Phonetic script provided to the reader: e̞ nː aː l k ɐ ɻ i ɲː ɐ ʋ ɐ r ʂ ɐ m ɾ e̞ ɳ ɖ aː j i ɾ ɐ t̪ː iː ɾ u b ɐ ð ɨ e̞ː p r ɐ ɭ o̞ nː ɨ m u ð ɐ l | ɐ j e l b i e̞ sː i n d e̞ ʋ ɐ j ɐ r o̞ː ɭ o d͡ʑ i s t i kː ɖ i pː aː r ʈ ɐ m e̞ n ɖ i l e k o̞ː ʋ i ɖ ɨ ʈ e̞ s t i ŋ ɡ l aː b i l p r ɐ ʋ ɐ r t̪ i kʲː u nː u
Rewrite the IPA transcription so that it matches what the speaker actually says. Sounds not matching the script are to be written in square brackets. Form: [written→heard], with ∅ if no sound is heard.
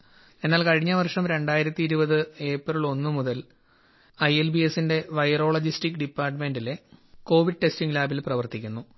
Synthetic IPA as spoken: e̞ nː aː l k ɐ ɻ i ɲː ɐ ʋ ɐ r ʂ ɐ m ɾ e̞ ɳ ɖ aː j i ɾ ɐ t̪ː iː ɾ u b ɐ ð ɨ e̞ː p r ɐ ɭ o̞ nː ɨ m u ð ɐ l | ɐ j e l b i e̞ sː i n d e̞ ʋ ɐ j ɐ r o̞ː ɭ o d͡ʑ i s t i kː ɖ i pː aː r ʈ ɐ m e̞ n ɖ i l e k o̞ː ʋ i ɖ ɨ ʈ e̞ s t i ŋ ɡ l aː b i l p r ɐ ʋ ɐ r t̪ i kʲː u nː u